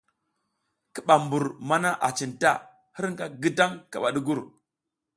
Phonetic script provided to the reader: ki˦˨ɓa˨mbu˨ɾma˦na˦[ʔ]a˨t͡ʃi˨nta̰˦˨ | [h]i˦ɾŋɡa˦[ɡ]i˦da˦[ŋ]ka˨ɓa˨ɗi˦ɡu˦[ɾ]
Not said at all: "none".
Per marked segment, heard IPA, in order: ʔ, h, ɡ, ŋ, ɾ

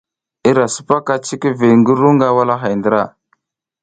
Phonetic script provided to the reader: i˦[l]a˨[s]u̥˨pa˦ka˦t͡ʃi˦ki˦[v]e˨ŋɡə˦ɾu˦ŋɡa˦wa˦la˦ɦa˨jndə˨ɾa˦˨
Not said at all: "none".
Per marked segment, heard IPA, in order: ɾ, s, v

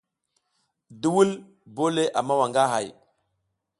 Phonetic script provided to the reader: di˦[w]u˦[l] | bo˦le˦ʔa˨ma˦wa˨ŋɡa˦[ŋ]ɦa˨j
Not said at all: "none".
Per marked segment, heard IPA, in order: w, l, none

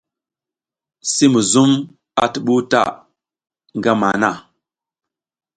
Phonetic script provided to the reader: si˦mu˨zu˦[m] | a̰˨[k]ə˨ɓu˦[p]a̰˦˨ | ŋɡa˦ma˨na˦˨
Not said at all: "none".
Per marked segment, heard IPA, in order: m, t, t

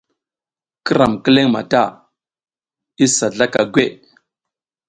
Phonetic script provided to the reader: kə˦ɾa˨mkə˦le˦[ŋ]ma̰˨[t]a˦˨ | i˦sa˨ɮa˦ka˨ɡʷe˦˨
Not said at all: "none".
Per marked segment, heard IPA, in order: ŋ, t

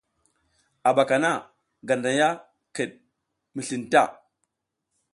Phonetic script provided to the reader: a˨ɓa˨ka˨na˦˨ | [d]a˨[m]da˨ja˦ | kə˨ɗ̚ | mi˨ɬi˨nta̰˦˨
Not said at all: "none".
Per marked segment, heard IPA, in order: ɡ, n

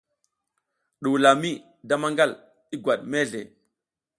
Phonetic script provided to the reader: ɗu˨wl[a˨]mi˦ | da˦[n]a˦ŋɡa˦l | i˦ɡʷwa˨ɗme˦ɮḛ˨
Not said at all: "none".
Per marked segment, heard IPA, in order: a˨, m

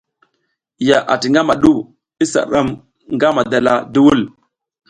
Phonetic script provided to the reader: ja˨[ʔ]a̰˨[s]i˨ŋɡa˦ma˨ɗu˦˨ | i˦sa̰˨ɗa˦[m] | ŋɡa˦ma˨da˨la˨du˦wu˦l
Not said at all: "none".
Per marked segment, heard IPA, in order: ʔ, t, m

